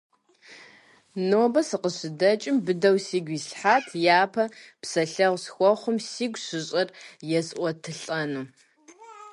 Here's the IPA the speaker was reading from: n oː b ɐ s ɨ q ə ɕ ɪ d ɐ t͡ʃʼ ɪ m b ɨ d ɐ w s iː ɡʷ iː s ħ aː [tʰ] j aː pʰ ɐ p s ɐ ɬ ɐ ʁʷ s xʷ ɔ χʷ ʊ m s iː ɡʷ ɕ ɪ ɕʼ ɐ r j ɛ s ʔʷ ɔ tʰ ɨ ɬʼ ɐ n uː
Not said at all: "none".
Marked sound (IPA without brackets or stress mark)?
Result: tʰ